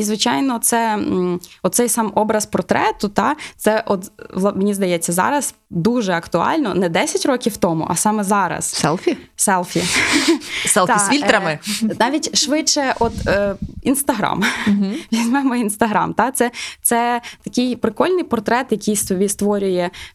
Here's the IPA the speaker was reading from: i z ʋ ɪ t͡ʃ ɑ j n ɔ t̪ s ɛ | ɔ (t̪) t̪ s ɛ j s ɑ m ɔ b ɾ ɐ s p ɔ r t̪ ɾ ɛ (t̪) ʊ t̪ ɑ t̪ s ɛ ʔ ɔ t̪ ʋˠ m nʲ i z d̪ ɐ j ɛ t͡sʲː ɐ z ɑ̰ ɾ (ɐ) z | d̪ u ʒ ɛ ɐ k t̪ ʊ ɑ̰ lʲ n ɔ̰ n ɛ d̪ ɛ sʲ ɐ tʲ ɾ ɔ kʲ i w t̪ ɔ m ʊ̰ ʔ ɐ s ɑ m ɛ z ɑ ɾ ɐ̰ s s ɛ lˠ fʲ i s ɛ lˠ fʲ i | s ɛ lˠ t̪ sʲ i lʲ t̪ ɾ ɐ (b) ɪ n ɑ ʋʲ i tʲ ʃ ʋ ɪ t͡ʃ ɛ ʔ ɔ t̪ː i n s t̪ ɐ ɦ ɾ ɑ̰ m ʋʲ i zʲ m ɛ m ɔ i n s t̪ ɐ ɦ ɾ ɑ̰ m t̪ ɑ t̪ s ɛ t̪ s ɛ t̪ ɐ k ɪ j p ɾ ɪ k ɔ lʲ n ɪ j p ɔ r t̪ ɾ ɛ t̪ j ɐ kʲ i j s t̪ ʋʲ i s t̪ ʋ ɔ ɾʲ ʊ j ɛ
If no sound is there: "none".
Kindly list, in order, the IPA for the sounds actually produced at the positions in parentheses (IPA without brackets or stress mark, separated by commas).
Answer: t̪, t̪, ɐ, m